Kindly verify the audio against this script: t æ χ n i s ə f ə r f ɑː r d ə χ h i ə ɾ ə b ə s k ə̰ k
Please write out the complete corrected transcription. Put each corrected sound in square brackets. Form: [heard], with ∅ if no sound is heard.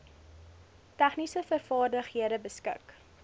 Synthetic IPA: t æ χ n i s ə f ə r f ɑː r d ə χ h i ə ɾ ə b ə s k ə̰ k